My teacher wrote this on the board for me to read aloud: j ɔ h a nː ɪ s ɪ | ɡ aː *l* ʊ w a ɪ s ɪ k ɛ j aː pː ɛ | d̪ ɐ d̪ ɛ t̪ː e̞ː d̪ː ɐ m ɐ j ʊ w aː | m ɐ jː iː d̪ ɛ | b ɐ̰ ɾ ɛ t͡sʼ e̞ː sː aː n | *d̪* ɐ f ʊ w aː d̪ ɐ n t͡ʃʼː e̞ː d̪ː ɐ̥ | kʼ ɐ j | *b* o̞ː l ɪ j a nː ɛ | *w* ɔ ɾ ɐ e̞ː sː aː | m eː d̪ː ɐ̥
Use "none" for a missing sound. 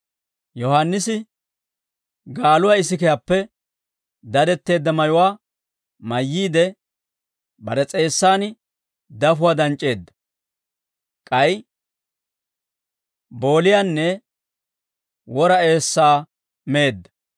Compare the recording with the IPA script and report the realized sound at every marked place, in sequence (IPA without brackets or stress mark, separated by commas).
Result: l, d̪, b, w